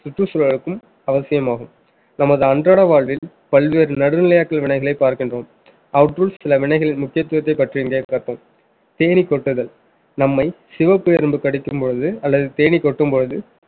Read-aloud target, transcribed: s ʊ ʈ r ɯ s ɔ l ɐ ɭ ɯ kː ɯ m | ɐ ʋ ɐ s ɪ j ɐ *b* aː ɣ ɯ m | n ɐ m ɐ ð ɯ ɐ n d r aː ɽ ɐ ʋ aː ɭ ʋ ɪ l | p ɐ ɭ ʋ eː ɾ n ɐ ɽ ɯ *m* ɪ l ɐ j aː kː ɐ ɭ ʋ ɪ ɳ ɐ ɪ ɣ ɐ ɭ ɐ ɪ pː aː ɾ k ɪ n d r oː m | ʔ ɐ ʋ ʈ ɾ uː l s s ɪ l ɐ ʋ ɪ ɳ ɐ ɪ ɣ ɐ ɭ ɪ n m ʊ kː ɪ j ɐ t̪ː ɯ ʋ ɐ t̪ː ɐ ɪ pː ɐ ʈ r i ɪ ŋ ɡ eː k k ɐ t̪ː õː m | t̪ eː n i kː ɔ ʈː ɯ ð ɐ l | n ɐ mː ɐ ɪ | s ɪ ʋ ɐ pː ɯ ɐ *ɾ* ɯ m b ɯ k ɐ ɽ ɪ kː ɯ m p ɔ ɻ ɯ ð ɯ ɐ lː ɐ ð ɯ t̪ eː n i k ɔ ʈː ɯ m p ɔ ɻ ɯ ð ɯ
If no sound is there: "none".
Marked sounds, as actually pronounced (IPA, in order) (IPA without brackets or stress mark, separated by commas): m, n, ɾ